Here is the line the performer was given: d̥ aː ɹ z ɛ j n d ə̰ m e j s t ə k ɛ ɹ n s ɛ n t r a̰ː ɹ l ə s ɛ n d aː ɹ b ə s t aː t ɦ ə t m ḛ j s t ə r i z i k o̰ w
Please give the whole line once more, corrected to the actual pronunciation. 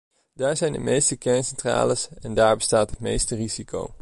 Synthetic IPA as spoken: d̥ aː ɹ z ɛ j n d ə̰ m e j s t ə k ɛ ɹ n s ɛ n t r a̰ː l ə s ɛ n d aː ɹ b ə s t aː t ɦ ə t m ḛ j s t ə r i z i k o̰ w